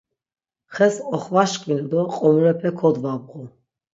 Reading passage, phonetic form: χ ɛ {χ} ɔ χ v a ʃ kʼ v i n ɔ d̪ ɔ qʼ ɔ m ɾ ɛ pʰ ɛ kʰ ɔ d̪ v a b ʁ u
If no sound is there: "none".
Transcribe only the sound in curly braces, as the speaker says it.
s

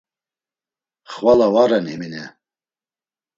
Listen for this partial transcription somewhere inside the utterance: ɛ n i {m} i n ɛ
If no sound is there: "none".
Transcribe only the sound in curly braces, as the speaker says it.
m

